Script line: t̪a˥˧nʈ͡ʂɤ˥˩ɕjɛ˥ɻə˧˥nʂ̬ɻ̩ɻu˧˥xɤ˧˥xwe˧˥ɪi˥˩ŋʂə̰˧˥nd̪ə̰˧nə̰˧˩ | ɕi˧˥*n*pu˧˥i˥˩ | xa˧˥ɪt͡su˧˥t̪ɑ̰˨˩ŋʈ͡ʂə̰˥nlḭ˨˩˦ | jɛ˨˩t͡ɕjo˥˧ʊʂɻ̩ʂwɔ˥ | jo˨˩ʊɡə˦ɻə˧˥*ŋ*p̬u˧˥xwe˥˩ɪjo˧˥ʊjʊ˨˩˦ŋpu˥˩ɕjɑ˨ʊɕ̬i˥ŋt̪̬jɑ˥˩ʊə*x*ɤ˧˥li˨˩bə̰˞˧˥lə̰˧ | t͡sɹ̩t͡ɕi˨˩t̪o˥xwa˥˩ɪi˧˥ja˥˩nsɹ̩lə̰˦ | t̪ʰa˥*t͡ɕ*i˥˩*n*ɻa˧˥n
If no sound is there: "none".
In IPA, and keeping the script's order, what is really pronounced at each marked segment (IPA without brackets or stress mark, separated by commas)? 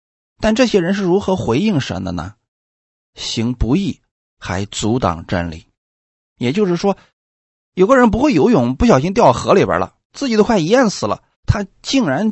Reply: ŋ, n, x, t͡ɕ, ŋ